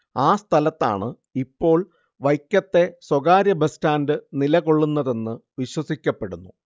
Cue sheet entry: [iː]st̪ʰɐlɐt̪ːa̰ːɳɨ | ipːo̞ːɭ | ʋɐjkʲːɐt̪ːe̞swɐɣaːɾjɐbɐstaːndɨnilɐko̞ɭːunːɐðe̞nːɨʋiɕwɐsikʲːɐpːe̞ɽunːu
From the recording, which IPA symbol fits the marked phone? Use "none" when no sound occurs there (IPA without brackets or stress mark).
aː